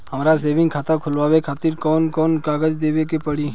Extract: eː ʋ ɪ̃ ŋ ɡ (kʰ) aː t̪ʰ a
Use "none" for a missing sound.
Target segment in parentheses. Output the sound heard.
kʰ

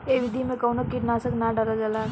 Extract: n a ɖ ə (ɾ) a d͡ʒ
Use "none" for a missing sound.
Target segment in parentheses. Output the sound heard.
ɾ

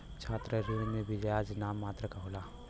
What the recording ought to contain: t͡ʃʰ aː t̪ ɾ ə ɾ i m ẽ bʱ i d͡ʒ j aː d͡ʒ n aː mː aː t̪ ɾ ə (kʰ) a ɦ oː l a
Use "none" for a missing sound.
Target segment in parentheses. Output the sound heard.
k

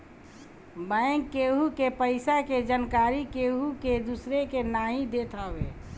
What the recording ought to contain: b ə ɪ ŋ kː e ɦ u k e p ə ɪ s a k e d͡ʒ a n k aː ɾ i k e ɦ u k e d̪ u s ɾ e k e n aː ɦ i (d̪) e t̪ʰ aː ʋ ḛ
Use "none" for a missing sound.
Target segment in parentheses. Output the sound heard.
d̪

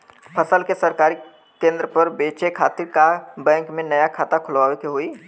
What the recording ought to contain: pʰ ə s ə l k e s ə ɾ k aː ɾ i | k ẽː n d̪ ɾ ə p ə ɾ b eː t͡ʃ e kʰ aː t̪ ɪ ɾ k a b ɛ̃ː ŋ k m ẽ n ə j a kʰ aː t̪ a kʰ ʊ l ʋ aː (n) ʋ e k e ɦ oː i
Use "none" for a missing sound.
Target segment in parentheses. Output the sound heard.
none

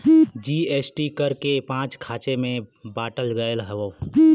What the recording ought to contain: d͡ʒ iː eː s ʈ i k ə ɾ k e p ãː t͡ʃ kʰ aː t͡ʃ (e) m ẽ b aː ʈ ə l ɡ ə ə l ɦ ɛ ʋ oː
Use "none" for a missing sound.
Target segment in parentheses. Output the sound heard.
e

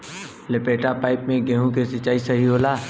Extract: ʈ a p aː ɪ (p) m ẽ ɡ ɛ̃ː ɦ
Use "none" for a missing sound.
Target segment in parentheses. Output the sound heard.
p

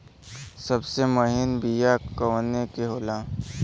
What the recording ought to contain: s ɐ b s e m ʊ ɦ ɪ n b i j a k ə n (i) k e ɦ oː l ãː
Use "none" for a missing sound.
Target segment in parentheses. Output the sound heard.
e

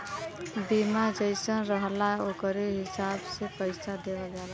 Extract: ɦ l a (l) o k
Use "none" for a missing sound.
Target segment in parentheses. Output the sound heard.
none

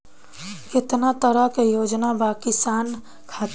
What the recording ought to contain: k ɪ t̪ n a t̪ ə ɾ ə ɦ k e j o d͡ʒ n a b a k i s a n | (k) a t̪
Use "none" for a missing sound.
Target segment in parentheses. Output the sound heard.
kʰ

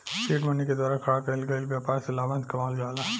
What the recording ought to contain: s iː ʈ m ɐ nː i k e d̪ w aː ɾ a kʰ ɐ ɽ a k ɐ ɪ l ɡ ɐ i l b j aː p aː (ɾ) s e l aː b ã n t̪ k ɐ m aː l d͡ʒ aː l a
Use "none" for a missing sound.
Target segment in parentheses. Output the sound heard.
ɾ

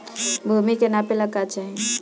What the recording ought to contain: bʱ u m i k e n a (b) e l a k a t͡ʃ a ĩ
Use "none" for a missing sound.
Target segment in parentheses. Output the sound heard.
p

